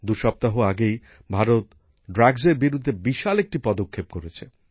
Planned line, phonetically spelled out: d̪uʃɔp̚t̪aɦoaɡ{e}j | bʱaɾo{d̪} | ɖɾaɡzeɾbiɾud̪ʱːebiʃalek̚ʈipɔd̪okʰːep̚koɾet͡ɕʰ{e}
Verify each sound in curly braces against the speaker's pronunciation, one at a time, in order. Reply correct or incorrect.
correct, incorrect, correct

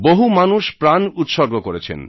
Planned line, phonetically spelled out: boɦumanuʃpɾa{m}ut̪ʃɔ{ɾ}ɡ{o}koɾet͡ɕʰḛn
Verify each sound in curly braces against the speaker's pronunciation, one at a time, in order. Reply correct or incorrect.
incorrect, correct, correct

